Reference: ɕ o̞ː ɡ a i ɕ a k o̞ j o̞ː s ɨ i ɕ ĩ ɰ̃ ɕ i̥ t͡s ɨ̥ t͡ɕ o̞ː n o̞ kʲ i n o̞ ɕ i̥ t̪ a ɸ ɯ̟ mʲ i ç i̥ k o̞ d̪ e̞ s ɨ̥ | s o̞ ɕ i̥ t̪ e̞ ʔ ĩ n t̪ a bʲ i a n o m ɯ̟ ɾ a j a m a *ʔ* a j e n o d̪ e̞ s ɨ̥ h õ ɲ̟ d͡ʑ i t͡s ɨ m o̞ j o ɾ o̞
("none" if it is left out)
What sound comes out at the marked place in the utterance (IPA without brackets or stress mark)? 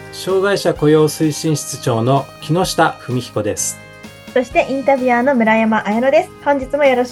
ʔ